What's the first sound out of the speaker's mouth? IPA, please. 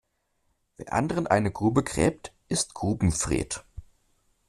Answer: v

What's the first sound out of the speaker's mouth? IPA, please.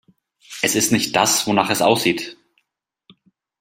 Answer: ʔ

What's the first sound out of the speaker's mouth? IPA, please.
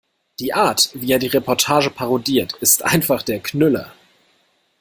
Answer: d̥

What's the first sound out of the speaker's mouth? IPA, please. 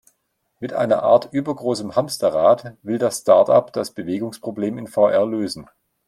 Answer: m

